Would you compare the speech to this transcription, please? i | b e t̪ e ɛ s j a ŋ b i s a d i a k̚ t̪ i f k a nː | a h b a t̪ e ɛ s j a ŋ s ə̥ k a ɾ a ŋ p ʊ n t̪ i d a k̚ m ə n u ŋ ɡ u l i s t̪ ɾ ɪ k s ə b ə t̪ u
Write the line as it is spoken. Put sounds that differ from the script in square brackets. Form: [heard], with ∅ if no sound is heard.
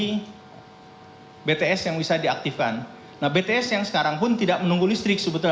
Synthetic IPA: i | b e t̪ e ɛ s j a ŋ b i s a d i a k̚ t̪ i f k a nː | a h b [e] t̪ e ɛ s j a ŋ s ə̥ k a ɾ a ŋ p ʊ n t̪ i d a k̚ m ə n u ŋ ɡ u l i s t̪ ɾ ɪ k s ə b ə t̪ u